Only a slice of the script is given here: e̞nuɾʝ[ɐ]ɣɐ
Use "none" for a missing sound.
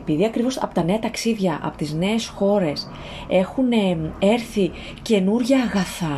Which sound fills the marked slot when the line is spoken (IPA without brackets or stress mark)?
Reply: ɐː